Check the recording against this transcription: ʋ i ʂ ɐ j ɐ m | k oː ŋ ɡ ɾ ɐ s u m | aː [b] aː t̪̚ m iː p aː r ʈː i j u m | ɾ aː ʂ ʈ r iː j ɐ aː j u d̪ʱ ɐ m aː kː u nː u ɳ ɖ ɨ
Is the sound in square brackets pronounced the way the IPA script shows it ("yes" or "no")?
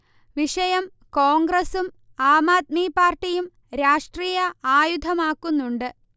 no